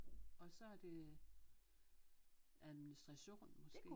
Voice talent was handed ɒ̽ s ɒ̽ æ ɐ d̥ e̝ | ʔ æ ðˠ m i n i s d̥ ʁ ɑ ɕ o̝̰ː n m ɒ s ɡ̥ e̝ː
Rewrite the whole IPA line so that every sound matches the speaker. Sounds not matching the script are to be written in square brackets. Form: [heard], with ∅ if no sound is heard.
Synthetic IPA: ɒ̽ s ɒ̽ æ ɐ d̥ e̝ | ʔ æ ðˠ m i n i s d̥ ʁ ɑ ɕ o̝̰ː n m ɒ s ɡ̥ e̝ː